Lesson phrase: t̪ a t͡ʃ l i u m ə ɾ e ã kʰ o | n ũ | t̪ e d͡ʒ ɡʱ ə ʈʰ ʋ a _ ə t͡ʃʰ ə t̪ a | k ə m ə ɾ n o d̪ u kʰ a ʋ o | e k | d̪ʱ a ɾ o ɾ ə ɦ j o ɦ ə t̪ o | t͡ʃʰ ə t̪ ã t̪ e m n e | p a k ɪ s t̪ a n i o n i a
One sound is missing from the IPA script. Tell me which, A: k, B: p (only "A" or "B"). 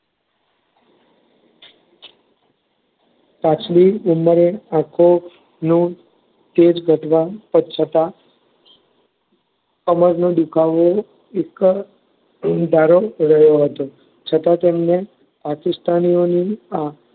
B